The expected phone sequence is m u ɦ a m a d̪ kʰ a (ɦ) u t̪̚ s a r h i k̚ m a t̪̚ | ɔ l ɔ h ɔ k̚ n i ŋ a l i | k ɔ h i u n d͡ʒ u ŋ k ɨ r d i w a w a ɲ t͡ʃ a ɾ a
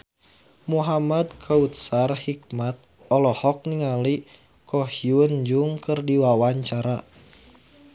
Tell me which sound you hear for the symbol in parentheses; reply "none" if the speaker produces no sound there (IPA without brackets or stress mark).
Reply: none